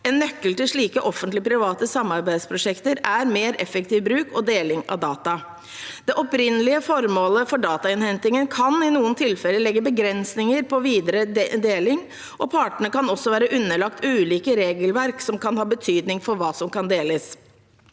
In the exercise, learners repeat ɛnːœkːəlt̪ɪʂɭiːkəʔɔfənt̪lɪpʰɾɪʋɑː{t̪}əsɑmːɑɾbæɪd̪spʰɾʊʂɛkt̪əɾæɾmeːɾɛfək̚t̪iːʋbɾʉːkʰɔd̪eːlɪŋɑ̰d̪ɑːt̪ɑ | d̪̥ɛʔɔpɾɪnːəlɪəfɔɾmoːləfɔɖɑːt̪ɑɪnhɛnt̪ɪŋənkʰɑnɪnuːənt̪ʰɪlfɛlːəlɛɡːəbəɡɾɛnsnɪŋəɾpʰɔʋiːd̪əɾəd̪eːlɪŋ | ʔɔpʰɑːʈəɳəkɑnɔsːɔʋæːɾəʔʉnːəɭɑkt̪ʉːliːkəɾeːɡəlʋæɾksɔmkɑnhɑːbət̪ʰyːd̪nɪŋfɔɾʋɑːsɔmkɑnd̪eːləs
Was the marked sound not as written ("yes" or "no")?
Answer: no